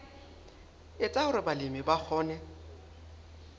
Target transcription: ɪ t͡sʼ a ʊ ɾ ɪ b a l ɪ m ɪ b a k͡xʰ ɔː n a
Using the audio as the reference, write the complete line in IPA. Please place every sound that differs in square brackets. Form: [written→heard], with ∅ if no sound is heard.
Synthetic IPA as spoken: ɪ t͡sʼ a ʊ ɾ ɪ b a l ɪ m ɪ b a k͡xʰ ɔː n [a→ɛ]